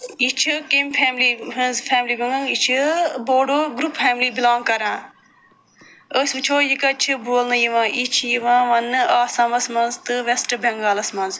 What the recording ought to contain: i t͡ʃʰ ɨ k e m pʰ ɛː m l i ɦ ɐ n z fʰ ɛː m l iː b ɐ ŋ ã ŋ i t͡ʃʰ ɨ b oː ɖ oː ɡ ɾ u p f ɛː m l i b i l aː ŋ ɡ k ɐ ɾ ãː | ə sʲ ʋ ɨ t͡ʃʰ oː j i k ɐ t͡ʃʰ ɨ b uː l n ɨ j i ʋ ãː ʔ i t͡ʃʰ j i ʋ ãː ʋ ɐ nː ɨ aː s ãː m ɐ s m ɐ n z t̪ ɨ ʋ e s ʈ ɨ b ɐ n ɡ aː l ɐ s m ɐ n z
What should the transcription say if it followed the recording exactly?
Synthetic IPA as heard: i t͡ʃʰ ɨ k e m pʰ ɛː m l i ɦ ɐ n z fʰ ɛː m l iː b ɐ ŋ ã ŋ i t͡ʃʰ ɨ b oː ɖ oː ɡ ɾ u p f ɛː m l i b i l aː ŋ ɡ k ɐ ɾ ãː | ə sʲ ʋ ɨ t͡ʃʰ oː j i k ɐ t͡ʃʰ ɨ b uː l n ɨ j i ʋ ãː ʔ i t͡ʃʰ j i ʋ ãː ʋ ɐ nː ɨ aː s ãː m ɐ s m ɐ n z t̪ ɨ ʋ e s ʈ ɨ b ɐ ŋ ɡ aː l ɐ s m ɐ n z